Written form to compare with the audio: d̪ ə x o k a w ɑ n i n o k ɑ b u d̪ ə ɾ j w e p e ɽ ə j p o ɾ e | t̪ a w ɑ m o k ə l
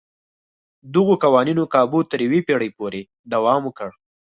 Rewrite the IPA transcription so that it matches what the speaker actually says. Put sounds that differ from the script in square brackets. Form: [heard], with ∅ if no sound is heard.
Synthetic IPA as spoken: d̪ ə [ɣ] o k a w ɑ n i n o k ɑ b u [t̪] ə ɾ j w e p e ɽ ə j p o ɾ e | [d̪] a w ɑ m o k ə [ɽ]